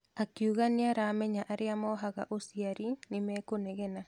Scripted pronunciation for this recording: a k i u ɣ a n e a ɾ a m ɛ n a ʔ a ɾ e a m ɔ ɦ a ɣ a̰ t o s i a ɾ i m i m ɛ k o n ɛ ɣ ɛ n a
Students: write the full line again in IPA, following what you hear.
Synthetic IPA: a k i u ɣ a n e a ɾ a m ɛ ɲ a ʔ a ɾ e a m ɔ ɦ a ɣ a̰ ʔ o s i a ɾ i n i m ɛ k o n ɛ ɣ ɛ n a